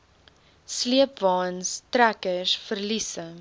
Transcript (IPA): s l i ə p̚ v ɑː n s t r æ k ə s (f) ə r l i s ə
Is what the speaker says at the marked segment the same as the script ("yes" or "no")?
yes